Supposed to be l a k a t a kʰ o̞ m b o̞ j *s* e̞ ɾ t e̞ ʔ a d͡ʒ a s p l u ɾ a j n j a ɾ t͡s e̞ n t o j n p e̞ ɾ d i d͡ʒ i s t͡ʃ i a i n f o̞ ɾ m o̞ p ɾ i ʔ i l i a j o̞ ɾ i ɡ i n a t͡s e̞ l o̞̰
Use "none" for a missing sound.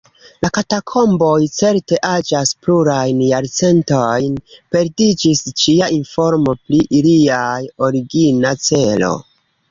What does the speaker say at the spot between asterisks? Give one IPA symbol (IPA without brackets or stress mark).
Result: t͡s